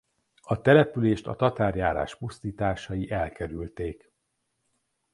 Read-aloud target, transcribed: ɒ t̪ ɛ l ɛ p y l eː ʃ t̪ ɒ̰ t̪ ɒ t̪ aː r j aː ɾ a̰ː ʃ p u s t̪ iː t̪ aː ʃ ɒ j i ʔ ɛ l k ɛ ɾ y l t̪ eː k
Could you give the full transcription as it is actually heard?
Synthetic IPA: ɒ t̪ ɛ l ɛ p y l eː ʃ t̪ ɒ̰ t̪ ɒ t̪ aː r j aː ɾ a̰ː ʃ p u s t̪ iː t̪ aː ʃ ɒ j i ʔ ɛ l k ɛ ɾ y l t̪ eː k